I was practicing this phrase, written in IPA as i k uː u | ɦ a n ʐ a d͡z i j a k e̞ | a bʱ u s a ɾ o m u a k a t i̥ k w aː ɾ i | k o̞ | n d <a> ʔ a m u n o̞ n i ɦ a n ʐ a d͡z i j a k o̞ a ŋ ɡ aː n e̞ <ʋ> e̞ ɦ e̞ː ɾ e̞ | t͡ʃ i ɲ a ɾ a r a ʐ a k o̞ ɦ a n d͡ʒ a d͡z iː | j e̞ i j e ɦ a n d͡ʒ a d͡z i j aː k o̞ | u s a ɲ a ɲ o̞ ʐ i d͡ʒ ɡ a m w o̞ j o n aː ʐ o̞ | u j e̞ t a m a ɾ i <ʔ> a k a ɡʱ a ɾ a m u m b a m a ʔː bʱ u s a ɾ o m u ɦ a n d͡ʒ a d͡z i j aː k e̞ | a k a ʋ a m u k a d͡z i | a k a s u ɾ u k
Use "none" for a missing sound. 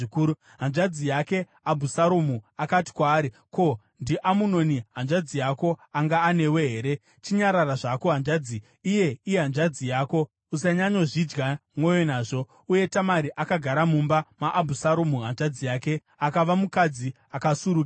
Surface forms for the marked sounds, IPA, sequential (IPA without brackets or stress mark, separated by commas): i, w, ʔ